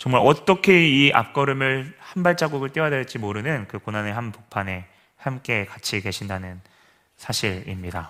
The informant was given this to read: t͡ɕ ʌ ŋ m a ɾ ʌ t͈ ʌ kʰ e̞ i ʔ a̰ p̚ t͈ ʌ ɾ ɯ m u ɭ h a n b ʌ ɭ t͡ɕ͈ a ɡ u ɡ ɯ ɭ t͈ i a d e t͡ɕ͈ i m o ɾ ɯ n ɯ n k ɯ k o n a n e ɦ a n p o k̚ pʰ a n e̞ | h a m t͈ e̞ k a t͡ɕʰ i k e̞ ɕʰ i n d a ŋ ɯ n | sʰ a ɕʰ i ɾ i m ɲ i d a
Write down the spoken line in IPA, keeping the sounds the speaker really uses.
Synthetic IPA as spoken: t͡ɕ ʌ ŋ m a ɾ ʌ t͈ ʌ kʰ e̞ i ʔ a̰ p̚ k͈ ʌ ɾ ɯ m ɯ ɭ h a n b a ɭ t͡ɕ͈ a ɡ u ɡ ɯ ɭ t͈ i a d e t͡ɕ͈ i m o ɾ ɯ n ɯ n k ɯ k o n a n e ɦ a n p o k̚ pʰ a n e̞ | h a m k͈ e̞ k a t͡ɕʰ i k e̞ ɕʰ i n d a n ɯ n | sʰ a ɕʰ i ɾ i m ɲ i d a